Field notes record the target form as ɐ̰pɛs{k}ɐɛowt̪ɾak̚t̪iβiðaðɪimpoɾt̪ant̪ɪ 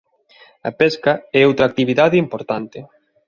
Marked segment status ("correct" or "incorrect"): correct